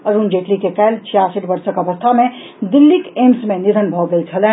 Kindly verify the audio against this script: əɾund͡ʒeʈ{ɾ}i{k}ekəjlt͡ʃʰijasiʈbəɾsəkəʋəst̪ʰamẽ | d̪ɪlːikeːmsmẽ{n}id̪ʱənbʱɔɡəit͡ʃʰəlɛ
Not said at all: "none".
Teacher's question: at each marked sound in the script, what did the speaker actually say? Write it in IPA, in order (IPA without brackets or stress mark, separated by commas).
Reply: l, k, n